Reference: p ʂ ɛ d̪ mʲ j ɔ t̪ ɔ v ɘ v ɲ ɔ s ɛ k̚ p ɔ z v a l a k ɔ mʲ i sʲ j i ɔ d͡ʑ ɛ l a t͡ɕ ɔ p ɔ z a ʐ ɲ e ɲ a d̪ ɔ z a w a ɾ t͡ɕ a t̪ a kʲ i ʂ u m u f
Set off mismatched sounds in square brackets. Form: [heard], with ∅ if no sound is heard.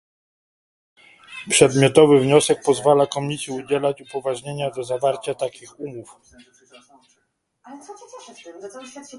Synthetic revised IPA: p ʂ ɛ d̪ mʲ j ɔ t̪ ɔ v ɘ v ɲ ɔ s ɛ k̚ p ɔ z v a l a k ɔ mʲ i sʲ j i [u] d͡ʑ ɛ l a t͡ɕ [u] p ɔ [v] a ʐ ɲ e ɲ a d̪ ɔ z a [v] a ɾ t͡ɕ a t̪ a kʲ i [x] u m u f